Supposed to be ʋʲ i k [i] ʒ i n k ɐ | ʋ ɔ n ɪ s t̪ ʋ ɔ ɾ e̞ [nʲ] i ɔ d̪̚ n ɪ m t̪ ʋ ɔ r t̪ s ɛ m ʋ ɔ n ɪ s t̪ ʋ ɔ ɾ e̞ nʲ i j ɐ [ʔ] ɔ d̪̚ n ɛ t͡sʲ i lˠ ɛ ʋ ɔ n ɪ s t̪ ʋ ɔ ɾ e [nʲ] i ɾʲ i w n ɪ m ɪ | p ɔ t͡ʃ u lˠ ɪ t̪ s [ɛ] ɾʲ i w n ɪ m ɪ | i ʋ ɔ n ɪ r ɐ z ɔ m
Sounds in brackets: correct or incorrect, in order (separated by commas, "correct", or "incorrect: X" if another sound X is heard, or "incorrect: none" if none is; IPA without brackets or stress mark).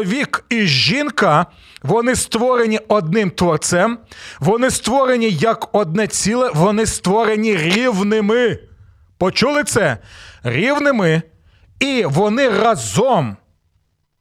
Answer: correct, correct, incorrect: k, correct, correct